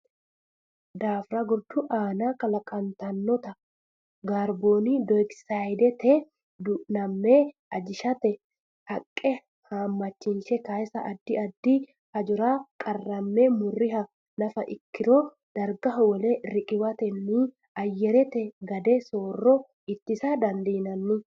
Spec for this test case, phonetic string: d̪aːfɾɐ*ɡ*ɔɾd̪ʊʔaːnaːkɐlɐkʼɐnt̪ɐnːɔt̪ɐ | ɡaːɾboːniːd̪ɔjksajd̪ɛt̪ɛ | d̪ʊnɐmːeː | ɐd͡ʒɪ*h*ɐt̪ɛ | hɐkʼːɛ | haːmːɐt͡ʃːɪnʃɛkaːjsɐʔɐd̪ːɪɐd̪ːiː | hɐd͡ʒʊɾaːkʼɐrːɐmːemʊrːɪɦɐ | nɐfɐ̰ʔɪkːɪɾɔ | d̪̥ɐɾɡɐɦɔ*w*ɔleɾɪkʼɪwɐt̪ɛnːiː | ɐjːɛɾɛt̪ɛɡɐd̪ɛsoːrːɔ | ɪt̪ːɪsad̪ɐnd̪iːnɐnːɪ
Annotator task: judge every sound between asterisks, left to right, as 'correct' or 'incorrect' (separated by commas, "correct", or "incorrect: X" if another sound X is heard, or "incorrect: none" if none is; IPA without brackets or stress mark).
correct, incorrect: ʃ, correct